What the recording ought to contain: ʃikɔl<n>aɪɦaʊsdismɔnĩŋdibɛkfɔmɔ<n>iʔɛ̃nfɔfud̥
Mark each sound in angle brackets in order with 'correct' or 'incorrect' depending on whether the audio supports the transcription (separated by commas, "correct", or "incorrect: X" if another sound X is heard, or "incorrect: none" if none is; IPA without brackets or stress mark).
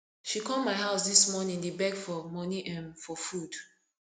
incorrect: m, correct